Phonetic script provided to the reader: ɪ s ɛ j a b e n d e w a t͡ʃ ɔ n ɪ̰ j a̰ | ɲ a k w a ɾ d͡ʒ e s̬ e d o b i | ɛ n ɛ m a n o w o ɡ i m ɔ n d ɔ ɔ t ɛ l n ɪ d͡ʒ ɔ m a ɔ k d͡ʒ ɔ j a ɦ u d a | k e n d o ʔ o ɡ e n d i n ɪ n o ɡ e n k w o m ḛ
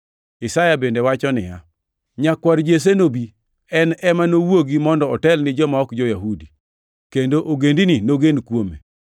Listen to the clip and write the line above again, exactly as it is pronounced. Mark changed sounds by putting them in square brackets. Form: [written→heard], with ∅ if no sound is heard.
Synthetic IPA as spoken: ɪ s [ɛ→a] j a b e n d e w a t͡ʃ ɔ n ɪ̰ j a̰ | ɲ a k w a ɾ d͡ʒ e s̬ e [d→n] o b i | ɛ n ɛ m a n o w o ɡ i m ɔ n d ɔ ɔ t ɛ l n ɪ d͡ʒ ɔ m a ɔ k d͡ʒ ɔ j a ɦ u d [a→i] | k e n d o ʔ o ɡ e n d i n [ɪ→i] n o ɡ e n k w o m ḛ